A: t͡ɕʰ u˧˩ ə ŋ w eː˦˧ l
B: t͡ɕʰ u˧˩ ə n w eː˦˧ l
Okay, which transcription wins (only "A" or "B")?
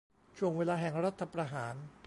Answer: A